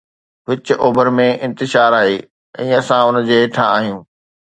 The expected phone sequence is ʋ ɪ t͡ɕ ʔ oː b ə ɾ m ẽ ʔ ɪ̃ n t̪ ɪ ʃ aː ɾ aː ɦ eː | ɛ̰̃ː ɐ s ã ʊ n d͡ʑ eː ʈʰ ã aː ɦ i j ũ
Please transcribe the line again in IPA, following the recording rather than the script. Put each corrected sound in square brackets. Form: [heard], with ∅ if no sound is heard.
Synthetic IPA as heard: ʋ ɪ t͡ɕ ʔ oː b ə ɾ m ẽ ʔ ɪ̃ n t̪ ɪ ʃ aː ɾ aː ɦ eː | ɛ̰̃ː ɐ s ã ʊ n d͡ʑ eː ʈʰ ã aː ɦ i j [ũː]